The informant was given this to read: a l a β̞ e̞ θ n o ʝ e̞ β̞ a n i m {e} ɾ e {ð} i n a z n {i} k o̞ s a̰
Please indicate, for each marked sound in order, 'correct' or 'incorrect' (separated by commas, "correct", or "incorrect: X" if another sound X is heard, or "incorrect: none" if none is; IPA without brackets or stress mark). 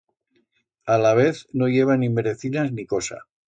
correct, incorrect: θ, correct